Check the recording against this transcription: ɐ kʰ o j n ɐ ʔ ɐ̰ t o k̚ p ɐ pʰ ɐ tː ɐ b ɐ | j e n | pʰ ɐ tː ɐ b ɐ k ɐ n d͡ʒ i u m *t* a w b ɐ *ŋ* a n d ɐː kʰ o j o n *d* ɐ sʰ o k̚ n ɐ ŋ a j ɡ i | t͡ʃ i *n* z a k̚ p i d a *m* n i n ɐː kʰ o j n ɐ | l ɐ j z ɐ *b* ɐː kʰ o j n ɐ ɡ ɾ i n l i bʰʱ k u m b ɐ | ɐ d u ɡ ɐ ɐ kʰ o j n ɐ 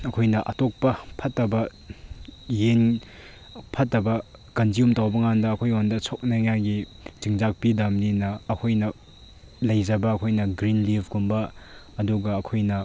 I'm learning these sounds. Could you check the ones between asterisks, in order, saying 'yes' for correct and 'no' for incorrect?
yes, yes, yes, no, yes, yes

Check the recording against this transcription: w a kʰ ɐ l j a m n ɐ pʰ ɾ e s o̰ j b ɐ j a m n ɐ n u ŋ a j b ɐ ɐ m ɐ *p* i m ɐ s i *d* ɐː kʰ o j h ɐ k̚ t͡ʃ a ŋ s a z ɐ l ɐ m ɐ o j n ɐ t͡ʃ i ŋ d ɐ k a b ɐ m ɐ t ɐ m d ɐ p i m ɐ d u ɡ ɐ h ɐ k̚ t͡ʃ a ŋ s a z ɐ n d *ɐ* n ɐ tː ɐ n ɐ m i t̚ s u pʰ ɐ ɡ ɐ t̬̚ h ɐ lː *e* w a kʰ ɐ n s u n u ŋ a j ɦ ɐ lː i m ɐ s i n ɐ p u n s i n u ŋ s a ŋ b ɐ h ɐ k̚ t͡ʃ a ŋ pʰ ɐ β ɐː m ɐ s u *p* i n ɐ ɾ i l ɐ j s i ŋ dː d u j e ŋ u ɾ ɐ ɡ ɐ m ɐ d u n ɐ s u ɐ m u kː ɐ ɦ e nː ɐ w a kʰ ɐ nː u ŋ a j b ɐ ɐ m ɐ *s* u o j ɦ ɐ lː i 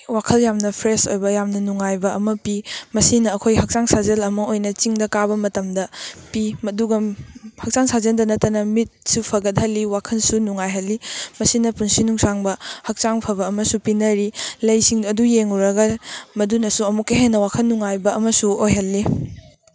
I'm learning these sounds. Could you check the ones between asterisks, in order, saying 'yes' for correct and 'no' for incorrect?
yes, no, yes, no, yes, yes

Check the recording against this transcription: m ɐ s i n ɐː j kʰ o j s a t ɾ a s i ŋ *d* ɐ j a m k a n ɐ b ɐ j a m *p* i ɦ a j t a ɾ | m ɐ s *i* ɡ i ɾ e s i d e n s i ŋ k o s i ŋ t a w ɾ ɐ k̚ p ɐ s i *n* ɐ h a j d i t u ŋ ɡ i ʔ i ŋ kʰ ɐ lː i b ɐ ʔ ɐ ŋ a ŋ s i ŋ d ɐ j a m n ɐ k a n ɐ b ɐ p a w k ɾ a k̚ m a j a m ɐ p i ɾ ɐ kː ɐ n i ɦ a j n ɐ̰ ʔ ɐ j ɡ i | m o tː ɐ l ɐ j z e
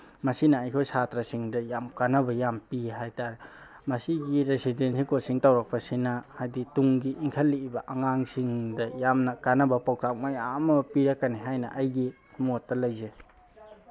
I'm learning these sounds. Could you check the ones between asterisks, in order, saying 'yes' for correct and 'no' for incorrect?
yes, yes, yes, yes

